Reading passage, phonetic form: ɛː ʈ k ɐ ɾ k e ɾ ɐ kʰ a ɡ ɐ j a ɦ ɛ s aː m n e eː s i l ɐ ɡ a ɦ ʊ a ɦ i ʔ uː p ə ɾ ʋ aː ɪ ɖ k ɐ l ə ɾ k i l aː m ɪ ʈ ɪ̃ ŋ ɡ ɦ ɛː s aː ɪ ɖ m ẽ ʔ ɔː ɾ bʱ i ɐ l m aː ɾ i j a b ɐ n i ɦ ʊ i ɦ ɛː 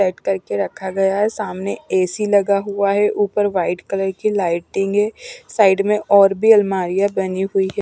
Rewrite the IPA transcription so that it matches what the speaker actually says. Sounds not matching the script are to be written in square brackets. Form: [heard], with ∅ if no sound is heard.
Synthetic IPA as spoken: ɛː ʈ k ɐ ɾ k e ɾ ɐ kʰ a ɡ ɐ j a ɦ ɛ s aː m n e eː s i l ɐ ɡ a ɦ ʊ a ɦ [ɛ] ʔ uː p ə ɾ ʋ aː ɪ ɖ k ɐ l ə ɾ k i l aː [∅] ɪ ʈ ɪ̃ ŋ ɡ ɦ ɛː s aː ɪ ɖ m ẽ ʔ ɔː ɾ bʱ i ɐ l m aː ɾ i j a b ɐ n i ɦ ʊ i ɦ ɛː